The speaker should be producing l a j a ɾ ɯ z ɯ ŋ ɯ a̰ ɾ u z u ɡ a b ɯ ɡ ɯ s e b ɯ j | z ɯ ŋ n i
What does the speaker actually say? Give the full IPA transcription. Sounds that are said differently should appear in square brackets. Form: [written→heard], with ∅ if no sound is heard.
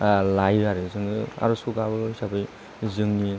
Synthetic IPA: l a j a ɾ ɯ z ɯ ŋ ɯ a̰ ɾ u [z→s] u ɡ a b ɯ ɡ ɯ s [e→a] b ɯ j | z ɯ ŋ n i